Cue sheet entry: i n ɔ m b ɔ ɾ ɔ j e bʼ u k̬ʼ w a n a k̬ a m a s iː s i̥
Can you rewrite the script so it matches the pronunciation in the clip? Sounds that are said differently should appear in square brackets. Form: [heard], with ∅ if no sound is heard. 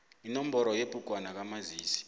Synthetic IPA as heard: i n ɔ m b ɔ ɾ ɔ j e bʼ u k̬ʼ w a n a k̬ a m a [z] iː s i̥